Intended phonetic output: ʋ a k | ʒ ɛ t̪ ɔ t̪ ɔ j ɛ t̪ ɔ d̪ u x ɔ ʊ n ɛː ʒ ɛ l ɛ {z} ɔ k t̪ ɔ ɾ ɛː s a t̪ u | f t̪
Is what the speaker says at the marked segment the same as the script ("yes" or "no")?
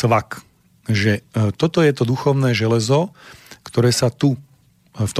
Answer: yes